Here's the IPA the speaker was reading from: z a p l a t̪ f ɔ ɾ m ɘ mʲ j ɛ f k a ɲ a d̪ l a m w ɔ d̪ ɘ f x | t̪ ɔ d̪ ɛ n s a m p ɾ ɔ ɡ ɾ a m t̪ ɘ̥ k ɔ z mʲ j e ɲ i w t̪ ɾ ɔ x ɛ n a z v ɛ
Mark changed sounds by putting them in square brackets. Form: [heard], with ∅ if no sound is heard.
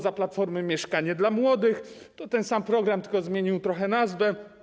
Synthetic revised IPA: z a p l a t̪ f ɔ ɾ m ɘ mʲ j ɛ [ʂ] k a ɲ [ɛ] d̪ l a m w ɔ d̪ ɘ [∅] x | t̪ ɔ [t̪] ɛ n s a m p ɾ ɔ ɡ ɾ a m t̪ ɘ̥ k ɔ z mʲ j e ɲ i w t̪ ɾ ɔ x ɛ n a z v ɛ